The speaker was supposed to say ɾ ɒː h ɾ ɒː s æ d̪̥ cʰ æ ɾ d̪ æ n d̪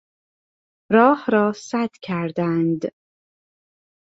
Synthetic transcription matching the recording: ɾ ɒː h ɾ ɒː s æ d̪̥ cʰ æ ɾ d̪ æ n d̪

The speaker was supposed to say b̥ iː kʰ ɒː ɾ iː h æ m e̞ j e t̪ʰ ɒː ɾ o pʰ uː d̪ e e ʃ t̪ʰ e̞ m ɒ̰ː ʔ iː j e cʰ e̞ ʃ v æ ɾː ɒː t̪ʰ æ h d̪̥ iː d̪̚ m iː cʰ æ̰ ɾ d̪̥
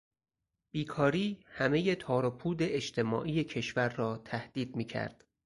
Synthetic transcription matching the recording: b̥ iː kʰ ɒː ɾ iː h æ m e̞ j e t̪ʰ ɒː ɾ o pʰ uː d̪ e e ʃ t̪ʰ e̞ m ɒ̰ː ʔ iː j e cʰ e̞ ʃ v æ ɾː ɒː t̪ʰ æ h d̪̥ iː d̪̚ m iː cʰ æ̰ ɾ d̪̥

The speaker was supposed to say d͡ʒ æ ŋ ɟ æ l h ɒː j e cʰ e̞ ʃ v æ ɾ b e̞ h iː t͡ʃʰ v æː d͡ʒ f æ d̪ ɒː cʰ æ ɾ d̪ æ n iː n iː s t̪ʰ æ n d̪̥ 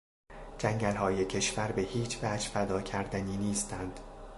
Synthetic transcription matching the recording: d͡ʒ æ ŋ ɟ æ l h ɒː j e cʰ e̞ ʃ v æ ɾ b e̞ h iː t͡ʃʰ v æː d͡ʒ f æ d̪ ɒː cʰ æ ɾ d̪ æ n iː n iː s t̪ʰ æ n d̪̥

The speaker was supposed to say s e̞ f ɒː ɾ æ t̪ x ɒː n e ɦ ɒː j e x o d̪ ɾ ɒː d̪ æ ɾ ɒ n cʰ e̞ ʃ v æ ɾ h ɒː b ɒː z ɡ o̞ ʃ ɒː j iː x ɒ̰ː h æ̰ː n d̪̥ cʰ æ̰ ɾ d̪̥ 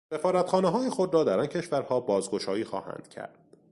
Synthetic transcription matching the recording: s e̞ f ɒː ɾ æ t̪ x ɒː n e ɦ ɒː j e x o d̪ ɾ ɒː d̪ æ ɾ ɒ n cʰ e̞ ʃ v æ ɾ h ɒː b ɒː z ɡ o̞ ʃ ɒː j iː x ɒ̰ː h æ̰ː n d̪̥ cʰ æ̰ ɾ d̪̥

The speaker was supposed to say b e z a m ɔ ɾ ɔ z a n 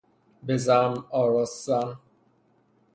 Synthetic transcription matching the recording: b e z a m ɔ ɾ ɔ s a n

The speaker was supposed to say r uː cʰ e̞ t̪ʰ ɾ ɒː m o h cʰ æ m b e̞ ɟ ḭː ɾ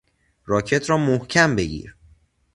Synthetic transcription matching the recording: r ɒː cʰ e̞ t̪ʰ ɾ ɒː m o h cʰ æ m b e̞ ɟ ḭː ɾ

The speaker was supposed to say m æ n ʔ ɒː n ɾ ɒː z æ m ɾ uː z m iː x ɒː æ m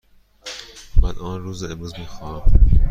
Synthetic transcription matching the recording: m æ n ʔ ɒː n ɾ uː z e m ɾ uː z m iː x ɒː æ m

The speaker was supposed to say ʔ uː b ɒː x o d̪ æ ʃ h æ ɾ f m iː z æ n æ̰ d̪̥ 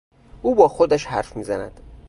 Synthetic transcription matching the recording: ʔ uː b ɒː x o d̪ æ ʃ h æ ɾ f m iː z æ n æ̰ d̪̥

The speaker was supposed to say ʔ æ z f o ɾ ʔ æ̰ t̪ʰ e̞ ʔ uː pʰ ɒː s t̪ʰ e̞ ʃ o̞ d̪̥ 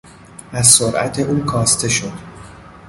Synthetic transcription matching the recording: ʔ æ z s o ɾ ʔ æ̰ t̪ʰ e̞ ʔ uː kʰ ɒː s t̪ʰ e̞ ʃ o̞ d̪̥

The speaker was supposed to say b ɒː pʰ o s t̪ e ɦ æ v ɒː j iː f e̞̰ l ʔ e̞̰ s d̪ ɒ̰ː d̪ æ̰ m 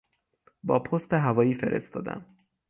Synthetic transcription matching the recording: b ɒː pʰ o s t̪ e ɦ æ v ɒː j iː f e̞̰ ɾ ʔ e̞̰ s t̪ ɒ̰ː d̪ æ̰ m

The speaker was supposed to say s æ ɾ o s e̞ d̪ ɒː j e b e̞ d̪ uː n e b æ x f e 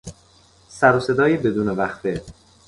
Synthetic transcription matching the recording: s æ ɾ o s e̞ d̪ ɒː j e b e̞ d̪ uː n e v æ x f e

